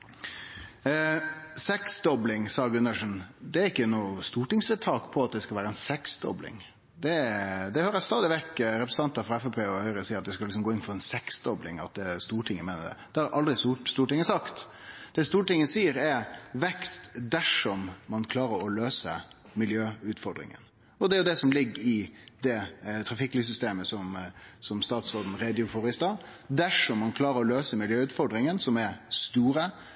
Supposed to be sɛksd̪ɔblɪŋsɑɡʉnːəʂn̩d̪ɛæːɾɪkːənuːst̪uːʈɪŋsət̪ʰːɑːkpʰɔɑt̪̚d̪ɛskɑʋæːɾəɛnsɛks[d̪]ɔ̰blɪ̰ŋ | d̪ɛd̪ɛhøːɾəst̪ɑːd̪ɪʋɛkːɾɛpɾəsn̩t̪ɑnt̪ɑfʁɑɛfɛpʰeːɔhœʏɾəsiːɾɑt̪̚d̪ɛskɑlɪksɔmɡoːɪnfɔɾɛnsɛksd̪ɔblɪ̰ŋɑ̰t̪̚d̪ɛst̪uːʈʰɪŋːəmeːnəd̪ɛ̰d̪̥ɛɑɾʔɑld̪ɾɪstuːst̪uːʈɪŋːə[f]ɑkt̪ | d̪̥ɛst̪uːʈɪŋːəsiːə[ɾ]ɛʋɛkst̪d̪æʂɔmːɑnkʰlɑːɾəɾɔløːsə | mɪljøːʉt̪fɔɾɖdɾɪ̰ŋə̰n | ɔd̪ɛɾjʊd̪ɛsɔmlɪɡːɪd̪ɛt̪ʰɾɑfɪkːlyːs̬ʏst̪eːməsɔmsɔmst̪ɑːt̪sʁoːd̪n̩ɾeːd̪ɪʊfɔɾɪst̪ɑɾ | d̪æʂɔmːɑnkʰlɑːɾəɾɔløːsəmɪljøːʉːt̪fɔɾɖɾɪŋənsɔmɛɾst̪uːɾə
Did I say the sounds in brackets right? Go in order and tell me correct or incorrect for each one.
correct, incorrect: s, correct

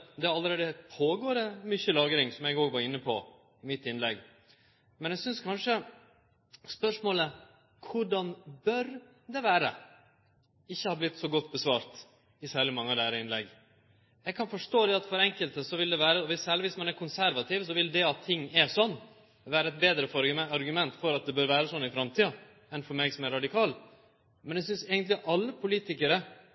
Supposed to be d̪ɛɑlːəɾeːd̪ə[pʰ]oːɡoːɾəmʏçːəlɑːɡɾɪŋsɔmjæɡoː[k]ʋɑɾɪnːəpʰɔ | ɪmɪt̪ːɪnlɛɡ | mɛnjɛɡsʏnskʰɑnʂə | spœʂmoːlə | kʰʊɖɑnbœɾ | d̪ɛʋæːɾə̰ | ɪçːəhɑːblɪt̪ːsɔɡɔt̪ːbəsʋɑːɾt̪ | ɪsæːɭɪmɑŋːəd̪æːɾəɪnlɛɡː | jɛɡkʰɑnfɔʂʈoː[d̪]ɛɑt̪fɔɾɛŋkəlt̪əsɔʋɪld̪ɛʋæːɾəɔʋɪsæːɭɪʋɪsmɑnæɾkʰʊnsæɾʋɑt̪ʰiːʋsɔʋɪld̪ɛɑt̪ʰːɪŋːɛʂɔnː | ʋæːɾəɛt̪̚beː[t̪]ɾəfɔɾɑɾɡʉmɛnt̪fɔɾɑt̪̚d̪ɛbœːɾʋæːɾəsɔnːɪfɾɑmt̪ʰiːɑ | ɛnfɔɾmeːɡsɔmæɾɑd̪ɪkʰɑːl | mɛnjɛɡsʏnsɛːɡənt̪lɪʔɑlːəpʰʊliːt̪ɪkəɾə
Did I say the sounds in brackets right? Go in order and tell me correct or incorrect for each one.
correct, incorrect: ɡ, correct, incorrect: d̪

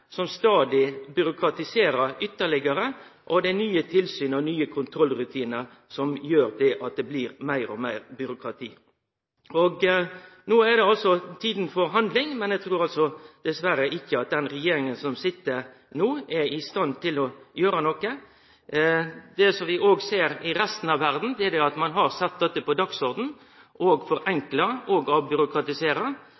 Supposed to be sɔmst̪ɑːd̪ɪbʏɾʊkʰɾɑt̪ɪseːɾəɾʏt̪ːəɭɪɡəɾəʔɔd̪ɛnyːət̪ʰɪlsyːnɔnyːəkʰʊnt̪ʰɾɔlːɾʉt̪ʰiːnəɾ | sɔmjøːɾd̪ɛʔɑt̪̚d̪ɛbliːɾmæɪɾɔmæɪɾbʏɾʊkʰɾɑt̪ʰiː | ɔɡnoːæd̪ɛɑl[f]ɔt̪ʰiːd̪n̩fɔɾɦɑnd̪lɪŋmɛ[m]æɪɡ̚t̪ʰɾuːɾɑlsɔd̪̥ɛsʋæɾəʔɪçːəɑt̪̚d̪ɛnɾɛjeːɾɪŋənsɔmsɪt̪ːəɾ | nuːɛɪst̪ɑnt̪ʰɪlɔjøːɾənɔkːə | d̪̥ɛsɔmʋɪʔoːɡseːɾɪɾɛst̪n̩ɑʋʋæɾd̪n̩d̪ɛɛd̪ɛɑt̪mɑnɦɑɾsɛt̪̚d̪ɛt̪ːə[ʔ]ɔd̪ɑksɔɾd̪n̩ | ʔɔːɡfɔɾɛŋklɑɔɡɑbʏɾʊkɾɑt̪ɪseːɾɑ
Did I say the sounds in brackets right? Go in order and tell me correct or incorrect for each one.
incorrect: s, incorrect: n, incorrect: p

